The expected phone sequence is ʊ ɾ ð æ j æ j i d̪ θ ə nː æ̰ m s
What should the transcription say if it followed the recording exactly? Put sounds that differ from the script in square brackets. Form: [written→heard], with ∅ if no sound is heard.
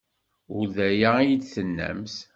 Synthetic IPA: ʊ ɾ ð æ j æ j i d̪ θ ə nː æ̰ m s

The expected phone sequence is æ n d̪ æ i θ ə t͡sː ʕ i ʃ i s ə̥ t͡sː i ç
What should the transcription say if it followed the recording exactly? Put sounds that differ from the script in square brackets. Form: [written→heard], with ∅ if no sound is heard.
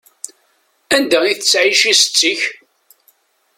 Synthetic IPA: æ n d̪ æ i θ ə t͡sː ʕ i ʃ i s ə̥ t͡sː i ç

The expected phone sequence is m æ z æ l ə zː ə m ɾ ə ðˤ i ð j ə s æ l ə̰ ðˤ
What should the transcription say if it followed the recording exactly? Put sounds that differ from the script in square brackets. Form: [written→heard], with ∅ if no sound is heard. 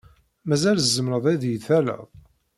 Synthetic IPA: m æ z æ l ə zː ə m ɾ ə ðˤ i ð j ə [s→θ] æ l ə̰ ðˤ

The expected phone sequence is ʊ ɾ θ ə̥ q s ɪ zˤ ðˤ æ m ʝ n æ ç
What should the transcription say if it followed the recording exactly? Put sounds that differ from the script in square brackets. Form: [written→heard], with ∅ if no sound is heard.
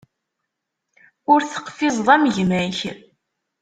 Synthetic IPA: ʊ ɾ θ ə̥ q [s→f] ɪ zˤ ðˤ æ m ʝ [n→m] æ ç

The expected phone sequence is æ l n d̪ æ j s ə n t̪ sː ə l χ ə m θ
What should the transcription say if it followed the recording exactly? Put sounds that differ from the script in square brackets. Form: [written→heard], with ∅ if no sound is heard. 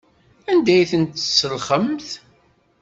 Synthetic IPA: æ [l→∅] n d̪ æ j [s→θ] ə n t̪ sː ə l χ ə m θ

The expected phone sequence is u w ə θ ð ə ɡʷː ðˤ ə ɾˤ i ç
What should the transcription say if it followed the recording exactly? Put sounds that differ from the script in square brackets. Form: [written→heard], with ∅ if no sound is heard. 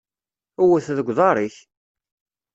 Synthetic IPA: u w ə θ ð ə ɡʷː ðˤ [ə→ɑ] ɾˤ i ç

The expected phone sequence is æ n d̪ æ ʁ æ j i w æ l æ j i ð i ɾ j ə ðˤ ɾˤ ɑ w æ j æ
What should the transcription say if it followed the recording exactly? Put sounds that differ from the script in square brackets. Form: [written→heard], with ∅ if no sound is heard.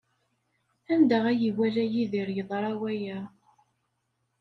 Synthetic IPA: æ n d̪ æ ʁ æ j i w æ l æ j i ð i ɾ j ə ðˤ ɾˤ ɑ w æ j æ

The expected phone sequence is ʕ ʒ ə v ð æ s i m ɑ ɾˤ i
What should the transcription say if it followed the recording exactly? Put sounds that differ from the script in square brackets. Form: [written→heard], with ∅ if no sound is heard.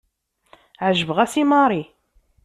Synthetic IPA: ʕ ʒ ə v [ð→ʁ] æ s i m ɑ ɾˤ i

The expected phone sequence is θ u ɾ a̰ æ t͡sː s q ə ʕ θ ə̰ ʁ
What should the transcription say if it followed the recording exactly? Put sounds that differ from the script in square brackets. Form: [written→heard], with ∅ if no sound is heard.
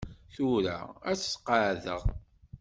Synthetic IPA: θ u ɾ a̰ æ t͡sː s q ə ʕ [θ→ð] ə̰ ʁ

